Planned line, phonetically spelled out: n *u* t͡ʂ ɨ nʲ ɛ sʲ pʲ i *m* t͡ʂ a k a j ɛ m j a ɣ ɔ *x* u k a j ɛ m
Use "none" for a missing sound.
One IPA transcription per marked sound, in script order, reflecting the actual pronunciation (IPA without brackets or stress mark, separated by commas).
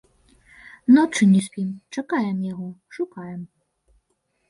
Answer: ɔ, m, ʂ